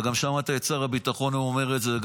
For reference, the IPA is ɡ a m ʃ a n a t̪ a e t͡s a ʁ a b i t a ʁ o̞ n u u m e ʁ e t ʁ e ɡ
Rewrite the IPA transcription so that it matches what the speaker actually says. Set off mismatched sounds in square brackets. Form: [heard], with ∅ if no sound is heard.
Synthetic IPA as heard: ɡ a m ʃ a [m] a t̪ a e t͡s a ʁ a b i t a [χ] o̞ n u [o] m e ʁ e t [z] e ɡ